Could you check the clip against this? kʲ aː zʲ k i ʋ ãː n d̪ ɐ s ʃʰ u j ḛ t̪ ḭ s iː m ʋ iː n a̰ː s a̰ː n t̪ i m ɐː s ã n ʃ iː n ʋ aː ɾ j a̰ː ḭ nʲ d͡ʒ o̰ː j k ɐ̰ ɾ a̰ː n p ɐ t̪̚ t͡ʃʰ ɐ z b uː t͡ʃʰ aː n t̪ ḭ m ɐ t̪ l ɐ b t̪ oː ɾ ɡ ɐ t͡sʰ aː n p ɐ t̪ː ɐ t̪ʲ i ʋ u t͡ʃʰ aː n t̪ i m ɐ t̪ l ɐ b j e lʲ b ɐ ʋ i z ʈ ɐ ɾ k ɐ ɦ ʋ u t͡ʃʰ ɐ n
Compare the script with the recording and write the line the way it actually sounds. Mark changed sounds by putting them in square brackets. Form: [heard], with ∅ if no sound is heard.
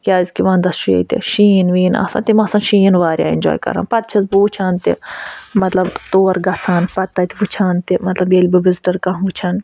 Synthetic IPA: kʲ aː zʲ k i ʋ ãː n d̪ ɐ s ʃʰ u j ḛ t̪ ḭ [ʃ] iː [n] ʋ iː n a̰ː s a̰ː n t̪ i m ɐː s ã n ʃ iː n ʋ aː ɾ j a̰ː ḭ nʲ d͡ʒ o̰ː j k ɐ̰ ɾ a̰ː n p ɐ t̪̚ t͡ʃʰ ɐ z b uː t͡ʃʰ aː n t̪ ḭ m ɐ t̪ l ɐ b t̪ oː ɾ ɡ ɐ t͡sʰ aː n p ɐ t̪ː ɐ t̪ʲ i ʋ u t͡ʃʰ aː n t̪ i m ɐ t̪ l ɐ b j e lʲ b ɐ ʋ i z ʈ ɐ ɾ k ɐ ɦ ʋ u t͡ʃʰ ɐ n